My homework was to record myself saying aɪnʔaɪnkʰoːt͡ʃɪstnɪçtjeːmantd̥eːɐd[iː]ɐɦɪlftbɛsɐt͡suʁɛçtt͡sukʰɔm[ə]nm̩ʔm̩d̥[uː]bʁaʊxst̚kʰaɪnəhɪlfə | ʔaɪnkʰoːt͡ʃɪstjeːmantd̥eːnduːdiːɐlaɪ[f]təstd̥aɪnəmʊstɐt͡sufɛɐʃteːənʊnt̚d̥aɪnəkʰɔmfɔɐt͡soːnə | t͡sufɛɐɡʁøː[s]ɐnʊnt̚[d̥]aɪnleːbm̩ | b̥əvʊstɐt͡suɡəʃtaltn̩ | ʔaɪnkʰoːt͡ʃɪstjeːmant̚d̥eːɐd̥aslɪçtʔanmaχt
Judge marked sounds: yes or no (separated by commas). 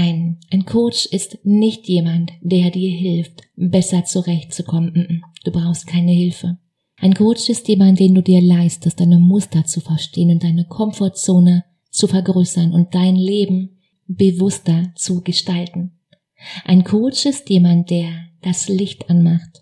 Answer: yes, yes, yes, no, yes, yes